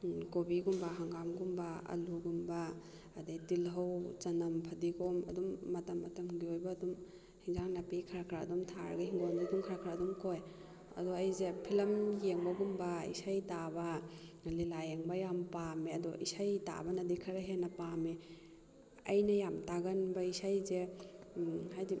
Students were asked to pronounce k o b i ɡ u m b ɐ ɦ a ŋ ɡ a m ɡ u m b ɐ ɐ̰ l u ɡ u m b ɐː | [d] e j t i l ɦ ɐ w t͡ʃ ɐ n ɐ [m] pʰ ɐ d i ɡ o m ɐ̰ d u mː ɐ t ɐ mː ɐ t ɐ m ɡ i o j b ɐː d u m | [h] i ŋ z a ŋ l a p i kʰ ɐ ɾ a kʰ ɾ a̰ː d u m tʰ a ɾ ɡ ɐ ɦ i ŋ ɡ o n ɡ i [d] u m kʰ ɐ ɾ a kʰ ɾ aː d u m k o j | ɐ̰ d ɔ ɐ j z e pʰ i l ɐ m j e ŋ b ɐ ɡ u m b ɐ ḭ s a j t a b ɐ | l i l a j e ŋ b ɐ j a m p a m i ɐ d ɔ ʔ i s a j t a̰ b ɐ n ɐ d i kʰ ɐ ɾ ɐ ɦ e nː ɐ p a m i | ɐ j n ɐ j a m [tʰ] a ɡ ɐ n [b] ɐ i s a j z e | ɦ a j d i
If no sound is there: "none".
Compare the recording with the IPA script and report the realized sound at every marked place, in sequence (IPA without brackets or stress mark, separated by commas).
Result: d, m, h, d, t, b